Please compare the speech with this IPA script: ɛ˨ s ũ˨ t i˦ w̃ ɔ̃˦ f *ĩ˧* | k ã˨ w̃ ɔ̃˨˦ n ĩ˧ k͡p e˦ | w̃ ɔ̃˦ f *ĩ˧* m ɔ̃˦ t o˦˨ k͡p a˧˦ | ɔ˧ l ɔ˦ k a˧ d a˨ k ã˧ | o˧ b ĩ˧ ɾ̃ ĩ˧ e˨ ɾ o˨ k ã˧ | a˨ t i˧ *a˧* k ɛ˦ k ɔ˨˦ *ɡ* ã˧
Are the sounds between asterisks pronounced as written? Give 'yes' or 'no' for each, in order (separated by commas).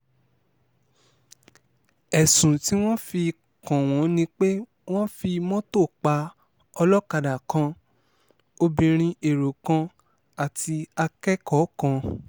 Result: no, no, yes, no